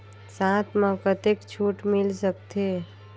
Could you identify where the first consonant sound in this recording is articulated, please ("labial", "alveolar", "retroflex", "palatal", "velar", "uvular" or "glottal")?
alveolar